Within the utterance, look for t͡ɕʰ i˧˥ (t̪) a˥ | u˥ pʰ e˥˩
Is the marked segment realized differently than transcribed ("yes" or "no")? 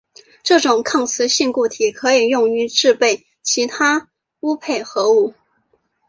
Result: yes